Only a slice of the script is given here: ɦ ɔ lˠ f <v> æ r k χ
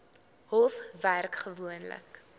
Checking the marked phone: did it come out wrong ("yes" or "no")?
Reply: no